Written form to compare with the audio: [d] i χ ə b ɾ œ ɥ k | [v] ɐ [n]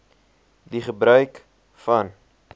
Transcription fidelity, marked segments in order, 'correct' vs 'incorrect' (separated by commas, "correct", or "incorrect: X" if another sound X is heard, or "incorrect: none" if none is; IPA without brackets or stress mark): correct, incorrect: f, correct